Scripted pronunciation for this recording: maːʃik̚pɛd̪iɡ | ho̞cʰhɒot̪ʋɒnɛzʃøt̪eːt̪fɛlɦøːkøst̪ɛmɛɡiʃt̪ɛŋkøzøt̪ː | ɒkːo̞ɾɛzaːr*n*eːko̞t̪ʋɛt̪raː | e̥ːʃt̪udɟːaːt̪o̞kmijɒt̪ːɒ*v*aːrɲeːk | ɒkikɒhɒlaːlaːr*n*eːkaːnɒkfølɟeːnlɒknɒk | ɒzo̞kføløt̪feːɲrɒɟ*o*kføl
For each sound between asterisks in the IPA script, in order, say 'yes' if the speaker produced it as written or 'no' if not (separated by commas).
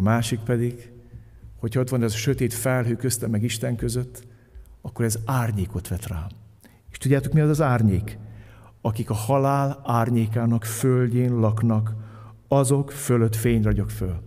no, no, no, yes